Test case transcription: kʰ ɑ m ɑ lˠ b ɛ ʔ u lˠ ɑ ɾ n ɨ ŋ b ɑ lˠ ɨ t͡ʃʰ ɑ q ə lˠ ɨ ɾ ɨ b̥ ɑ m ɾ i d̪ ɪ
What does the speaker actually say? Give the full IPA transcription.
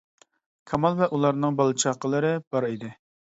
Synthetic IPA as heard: kʰ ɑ m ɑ lˠ v ɛ ʔ u lˠ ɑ ɾ n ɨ ŋ b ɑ lˠ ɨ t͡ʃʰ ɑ q ə lˠ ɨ ɾ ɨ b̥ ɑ ɾ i d̪ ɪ